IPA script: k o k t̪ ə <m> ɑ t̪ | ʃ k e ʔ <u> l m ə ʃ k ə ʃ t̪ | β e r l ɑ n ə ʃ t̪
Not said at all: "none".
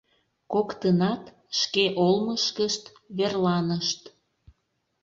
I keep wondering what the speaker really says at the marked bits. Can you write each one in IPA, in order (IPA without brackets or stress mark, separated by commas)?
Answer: n, o